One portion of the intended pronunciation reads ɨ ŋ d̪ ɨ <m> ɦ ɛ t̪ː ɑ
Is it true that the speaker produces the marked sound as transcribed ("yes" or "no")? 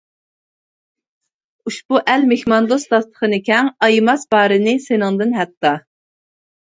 no